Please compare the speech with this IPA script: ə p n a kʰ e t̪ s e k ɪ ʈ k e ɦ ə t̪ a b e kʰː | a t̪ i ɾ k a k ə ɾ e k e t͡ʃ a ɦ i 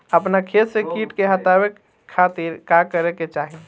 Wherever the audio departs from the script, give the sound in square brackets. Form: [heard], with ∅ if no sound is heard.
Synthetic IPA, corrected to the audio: ə p n a kʰ e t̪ s e k [i] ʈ k e ɦ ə t̪ a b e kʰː | a t̪ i ɾ k a k ə ɾ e k e t͡ʃ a ɦ i